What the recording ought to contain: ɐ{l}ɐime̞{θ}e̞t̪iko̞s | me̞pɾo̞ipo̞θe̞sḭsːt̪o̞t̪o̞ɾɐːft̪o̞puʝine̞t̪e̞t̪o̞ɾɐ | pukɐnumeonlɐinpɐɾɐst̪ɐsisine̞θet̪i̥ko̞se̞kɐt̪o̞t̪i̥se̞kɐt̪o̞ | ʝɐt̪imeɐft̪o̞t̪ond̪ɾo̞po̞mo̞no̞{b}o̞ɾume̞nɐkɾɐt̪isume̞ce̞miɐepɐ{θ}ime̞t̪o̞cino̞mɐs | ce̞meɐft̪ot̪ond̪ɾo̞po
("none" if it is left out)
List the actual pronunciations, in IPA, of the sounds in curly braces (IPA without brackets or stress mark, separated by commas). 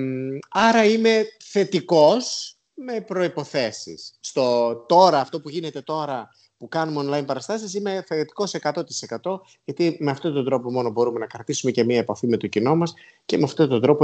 ɾ, θ, b, f